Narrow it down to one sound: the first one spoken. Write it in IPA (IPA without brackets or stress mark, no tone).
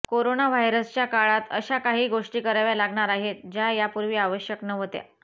k